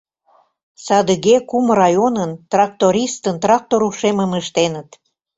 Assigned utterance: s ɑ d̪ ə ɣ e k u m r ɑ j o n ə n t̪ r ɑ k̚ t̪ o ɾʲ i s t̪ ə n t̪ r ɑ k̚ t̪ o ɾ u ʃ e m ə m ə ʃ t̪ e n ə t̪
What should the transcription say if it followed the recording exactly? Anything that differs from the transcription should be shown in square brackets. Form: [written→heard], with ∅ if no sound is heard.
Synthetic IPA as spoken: s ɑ d̪ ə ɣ e k u m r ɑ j o n ə n t̪ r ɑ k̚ t̪ o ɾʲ i s t̪ ə n t̪ r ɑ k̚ t̪ o ɾ u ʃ e m ə m ə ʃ t̪ e n ə t̪